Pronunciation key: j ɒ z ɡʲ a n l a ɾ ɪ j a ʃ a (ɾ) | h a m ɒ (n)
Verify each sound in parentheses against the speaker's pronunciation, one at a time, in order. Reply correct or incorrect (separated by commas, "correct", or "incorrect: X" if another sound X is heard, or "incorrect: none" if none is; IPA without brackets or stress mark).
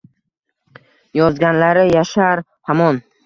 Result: correct, correct